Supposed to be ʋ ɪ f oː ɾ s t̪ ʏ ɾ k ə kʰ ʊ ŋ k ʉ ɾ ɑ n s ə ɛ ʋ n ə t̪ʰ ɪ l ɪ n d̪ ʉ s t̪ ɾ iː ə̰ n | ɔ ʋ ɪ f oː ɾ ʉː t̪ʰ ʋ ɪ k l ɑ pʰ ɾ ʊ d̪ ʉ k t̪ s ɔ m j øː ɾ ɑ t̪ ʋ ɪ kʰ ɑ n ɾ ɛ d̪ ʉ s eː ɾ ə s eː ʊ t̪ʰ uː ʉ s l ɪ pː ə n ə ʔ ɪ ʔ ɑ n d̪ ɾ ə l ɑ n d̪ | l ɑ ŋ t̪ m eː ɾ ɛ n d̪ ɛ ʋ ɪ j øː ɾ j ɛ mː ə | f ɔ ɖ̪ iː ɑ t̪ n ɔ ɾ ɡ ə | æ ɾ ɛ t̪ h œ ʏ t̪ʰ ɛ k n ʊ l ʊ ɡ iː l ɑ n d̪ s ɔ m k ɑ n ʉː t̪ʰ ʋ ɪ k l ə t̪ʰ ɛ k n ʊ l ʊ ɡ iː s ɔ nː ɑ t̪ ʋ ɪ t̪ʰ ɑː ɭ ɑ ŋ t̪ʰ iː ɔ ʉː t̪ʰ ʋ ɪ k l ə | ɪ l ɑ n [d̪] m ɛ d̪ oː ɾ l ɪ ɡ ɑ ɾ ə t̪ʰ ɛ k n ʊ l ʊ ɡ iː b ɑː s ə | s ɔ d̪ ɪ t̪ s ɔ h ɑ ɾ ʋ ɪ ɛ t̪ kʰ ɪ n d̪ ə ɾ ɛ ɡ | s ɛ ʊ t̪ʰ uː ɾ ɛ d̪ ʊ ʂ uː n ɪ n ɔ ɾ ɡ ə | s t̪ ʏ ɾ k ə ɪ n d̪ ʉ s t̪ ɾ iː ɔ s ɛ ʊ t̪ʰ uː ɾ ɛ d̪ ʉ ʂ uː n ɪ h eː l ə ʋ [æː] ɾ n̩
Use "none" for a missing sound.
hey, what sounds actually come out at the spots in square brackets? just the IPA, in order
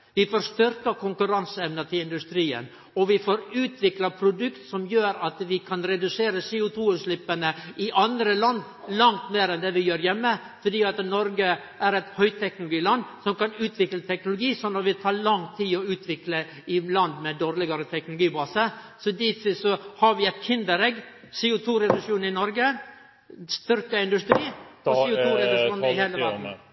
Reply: d̪, æ

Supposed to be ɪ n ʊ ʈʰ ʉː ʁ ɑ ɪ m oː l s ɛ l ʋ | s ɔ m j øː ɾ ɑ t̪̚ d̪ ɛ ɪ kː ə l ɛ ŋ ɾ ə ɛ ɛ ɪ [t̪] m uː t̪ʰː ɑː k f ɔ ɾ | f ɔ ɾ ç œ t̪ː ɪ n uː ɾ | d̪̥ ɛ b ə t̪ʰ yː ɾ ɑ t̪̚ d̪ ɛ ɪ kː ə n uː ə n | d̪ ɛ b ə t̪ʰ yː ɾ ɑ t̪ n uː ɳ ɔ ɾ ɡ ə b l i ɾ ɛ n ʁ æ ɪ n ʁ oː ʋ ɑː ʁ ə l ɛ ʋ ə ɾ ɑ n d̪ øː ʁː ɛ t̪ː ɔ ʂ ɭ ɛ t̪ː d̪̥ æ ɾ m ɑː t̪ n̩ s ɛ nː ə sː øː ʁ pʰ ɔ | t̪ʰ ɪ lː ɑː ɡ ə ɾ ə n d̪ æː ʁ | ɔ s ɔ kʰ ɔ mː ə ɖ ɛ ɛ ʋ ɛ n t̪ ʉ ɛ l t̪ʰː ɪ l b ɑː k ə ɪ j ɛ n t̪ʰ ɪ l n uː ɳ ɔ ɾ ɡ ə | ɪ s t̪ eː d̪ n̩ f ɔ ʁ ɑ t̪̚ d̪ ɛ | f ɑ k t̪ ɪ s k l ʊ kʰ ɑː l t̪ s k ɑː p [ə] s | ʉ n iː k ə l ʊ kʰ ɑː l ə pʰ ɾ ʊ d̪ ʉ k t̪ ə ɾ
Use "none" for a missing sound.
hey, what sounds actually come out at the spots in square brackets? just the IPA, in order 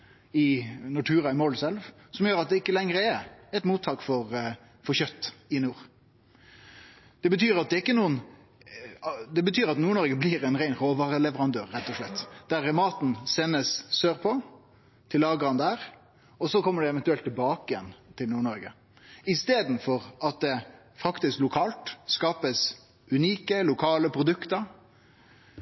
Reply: t̪, ə

